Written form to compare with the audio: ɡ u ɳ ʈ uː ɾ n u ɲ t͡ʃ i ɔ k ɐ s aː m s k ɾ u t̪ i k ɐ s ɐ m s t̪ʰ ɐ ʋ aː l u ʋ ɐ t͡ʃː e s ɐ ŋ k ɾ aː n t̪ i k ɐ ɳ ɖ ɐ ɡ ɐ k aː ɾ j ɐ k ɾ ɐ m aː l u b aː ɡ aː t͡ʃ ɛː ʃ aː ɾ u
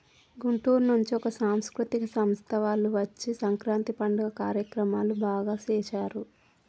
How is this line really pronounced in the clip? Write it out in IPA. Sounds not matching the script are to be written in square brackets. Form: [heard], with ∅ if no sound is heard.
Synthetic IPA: ɡ u ɳ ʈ uː ɾ n u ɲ t͡ʃ i ɔ k ɐ s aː m s k ɾ u t̪ i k ɐ s ɐ m s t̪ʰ ɐ ʋ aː l u ʋ ɐ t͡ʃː [i] s ɐ ŋ k ɾ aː n t̪ i [p] ɐ ɳ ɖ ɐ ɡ ɐ k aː ɾ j ɐ k ɾ ɐ m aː l u b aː ɡ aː t͡ʃ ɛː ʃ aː ɾ u